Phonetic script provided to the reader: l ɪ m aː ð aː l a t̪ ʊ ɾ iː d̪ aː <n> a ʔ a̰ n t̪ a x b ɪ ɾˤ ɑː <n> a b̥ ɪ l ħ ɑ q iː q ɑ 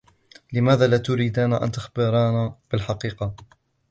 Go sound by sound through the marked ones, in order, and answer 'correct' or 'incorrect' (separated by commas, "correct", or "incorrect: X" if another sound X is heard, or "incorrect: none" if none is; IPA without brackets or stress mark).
correct, correct